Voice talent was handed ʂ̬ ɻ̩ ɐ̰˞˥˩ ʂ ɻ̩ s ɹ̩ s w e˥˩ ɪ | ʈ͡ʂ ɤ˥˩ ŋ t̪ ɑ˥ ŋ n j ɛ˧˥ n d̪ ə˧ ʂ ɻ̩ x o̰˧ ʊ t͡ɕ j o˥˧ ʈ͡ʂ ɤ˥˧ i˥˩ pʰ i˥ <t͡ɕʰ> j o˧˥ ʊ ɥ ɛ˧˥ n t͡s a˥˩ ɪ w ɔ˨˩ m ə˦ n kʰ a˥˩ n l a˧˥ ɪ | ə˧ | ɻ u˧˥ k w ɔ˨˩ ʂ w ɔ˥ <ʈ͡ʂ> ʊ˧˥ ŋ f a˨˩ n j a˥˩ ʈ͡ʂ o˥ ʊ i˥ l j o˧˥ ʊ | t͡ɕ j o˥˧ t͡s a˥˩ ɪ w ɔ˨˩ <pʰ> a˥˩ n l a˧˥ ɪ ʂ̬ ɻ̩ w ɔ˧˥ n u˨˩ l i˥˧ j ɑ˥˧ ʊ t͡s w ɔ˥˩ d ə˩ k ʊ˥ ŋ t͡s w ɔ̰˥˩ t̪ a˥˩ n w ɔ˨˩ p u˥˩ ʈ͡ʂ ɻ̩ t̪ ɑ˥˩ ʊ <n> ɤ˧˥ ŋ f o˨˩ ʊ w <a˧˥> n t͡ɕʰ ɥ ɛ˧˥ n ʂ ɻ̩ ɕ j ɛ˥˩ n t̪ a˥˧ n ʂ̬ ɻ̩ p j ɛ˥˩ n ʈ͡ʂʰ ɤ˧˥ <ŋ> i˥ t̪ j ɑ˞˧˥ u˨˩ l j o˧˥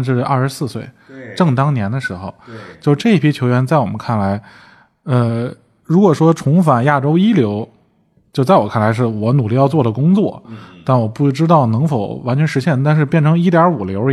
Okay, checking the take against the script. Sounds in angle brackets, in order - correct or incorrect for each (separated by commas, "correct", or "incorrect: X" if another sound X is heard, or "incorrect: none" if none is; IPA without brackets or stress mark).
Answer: correct, incorrect: ʈ͡ʂʰ, incorrect: kʰ, correct, correct, correct